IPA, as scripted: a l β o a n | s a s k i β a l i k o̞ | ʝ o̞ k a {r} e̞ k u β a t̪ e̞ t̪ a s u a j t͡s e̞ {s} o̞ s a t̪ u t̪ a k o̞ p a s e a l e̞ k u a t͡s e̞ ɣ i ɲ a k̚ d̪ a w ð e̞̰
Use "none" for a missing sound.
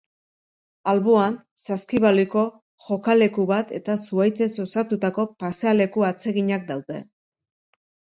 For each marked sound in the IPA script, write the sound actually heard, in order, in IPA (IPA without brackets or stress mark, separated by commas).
l, s